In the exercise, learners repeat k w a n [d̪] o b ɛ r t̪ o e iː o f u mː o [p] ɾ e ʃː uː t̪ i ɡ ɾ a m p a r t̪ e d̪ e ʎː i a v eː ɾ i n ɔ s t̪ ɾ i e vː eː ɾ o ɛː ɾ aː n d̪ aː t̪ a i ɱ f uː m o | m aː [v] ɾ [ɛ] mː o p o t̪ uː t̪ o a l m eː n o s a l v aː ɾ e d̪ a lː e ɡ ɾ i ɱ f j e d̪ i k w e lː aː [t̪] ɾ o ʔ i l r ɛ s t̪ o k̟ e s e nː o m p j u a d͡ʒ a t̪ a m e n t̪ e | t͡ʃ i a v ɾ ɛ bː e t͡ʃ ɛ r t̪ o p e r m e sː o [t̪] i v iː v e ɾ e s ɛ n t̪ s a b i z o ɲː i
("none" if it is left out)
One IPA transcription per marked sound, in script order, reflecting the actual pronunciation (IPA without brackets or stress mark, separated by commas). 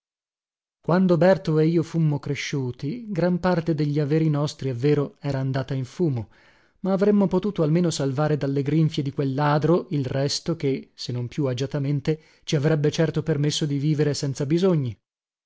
d̪, k, v, e, d̪, d̪